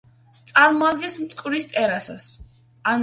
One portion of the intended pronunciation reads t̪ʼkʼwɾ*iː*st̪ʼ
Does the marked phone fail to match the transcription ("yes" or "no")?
yes